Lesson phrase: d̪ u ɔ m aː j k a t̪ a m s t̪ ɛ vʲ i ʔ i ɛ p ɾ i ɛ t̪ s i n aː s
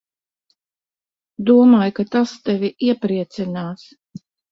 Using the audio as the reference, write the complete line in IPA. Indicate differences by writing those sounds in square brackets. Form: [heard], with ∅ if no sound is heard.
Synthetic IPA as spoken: d̪ u ɔ m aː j k a t̪ a [∅] s t̪ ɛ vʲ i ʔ i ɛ p ɾ i ɛ t̪ s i n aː s